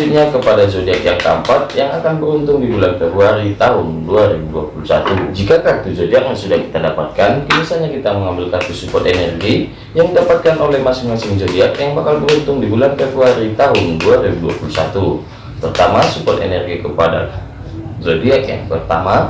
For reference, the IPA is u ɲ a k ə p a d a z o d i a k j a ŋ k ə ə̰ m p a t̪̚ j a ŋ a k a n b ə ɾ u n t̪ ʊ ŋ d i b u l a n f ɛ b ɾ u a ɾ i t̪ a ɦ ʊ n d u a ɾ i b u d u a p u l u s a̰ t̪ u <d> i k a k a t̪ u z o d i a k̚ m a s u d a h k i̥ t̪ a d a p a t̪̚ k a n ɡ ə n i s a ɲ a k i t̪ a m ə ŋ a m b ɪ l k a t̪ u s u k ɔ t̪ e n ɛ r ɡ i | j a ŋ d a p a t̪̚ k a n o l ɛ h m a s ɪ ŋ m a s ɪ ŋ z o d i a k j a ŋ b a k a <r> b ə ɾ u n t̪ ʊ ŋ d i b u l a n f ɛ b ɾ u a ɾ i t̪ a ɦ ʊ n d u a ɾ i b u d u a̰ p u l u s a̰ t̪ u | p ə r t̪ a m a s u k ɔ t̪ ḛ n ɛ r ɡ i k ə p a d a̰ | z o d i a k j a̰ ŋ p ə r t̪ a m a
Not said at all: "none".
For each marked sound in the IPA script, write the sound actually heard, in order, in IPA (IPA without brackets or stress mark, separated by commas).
d͡ʒ, l